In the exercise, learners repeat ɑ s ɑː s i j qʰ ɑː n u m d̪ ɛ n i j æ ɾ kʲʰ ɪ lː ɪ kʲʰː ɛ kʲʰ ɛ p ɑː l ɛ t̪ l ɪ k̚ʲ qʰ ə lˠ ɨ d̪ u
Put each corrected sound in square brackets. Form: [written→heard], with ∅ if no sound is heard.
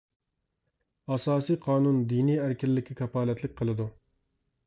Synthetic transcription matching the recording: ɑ s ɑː s i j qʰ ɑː n u [m→n] d̪ [ɛ→i] n i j æ ɾ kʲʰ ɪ lː ɪ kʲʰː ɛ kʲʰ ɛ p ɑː l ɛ t̪ l ɪ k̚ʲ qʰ ə lˠ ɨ d̪ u

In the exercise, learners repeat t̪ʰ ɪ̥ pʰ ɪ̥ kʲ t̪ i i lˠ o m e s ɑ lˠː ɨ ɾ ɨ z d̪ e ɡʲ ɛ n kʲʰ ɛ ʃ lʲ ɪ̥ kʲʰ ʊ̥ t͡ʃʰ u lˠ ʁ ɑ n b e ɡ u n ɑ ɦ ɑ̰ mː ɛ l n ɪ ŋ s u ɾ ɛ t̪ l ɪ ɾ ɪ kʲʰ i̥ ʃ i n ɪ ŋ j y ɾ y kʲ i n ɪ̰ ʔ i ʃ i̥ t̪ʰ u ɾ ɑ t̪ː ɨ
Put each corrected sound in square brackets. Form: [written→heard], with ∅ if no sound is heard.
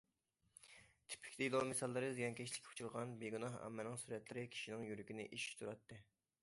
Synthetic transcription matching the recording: t̪ʰ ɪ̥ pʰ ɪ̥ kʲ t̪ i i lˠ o m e s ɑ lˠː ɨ ɾ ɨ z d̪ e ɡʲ ɛ n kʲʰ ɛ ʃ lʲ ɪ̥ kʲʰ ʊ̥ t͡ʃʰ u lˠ ʁ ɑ n b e ɡ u n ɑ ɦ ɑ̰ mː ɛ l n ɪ ŋ s u ɾ ɛ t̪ l ɪ ɾ ɪ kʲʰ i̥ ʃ i n ɪ ŋ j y ɾ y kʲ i n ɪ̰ ʔ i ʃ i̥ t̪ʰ u ɾ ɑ t̪ː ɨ

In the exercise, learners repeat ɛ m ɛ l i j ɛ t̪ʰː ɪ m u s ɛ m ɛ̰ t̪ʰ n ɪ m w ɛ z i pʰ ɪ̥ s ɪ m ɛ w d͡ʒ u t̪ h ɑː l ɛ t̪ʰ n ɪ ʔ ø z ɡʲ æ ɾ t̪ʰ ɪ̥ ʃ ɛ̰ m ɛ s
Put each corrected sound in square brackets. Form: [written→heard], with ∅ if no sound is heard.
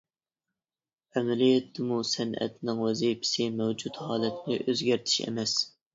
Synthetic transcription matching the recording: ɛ m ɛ l i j ɛ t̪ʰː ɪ m u s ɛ [m→n] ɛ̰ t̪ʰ n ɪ [m→ŋ] w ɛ z i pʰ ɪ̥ s ɪ m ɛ w d͡ʒ u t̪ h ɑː l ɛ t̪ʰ n ɪ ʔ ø z ɡʲ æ ɾ t̪ʰ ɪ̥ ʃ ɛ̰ m ɛ s

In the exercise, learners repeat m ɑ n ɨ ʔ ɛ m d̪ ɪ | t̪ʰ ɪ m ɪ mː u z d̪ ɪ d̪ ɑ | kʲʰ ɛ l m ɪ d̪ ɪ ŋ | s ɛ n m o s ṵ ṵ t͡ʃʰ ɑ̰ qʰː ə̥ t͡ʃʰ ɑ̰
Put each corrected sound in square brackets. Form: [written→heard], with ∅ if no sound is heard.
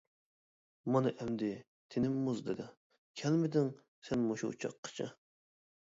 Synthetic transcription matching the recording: m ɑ n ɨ ʔ ɛ m d̪ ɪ | t̪ʰ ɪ [m→n] ɪ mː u z d̪ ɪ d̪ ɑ | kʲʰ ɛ l m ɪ d̪ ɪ ŋ | s ɛ n m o [s→ʃ] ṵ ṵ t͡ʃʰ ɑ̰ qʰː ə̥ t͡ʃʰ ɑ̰

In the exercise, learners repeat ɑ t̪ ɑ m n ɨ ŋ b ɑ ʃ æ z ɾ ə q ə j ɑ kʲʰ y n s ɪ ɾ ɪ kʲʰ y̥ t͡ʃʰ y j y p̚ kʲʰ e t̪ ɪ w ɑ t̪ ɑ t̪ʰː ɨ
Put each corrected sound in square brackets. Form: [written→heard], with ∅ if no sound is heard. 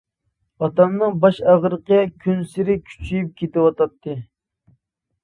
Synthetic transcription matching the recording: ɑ t̪ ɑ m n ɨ ŋ b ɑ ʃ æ [z→ʁ] ɾ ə q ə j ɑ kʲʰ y n s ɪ ɾ ɪ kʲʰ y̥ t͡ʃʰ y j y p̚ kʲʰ e t̪ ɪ w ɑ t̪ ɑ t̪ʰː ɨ

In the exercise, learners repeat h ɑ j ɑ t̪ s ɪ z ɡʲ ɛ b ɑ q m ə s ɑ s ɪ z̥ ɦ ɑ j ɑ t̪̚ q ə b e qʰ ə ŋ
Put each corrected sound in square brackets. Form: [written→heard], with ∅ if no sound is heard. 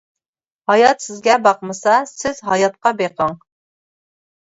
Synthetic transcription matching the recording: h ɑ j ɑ t̪ s ɪ z ɡʲ ɛ b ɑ q m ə s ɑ s ɪ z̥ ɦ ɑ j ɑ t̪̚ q [ə→ɑ] b e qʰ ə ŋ

